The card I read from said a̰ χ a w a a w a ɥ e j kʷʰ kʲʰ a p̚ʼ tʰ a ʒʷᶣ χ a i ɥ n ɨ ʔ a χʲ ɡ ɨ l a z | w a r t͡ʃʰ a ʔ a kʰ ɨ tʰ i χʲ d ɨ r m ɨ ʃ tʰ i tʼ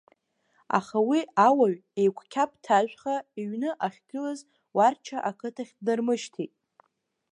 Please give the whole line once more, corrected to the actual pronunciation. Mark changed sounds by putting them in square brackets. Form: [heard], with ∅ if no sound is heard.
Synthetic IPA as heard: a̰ χ a w [i] a w a ɥ e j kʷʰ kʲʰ a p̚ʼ tʰ a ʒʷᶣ χ a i ɥ n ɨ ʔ a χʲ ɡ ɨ l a z | w a r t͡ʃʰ a ʔ a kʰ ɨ tʰ [a] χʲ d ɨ r m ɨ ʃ tʰ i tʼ